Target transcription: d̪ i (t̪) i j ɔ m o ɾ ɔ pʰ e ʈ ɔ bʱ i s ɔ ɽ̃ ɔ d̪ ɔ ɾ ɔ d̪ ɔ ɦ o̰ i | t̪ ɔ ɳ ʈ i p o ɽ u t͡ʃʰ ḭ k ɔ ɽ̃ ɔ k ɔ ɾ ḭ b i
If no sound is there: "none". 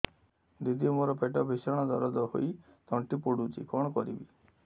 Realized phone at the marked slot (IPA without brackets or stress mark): d̪